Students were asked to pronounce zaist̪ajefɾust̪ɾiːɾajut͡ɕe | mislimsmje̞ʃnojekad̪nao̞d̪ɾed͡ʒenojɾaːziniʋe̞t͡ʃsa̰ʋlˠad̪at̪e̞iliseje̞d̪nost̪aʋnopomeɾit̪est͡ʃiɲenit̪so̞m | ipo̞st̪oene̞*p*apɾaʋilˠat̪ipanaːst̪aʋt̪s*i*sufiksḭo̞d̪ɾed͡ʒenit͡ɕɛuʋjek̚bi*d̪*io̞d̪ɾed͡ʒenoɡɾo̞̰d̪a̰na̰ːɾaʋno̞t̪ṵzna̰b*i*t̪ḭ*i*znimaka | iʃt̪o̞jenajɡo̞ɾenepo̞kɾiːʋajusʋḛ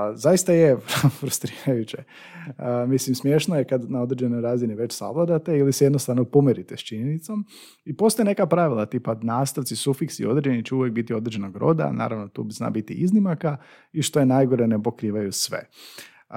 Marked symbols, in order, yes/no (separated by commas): no, yes, no, yes, yes